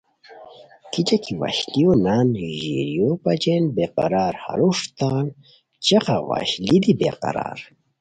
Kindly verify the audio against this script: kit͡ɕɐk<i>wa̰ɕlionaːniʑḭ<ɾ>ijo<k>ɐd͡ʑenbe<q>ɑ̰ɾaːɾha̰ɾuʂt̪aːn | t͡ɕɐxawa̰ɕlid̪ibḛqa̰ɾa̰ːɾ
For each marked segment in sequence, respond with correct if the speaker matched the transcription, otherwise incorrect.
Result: correct, correct, incorrect, correct

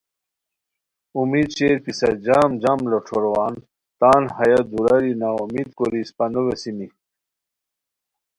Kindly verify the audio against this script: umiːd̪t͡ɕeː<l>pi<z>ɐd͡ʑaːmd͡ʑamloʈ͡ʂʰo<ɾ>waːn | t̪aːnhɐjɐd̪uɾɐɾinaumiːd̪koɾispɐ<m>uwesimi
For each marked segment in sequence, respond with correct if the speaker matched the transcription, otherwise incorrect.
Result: incorrect, incorrect, correct, incorrect

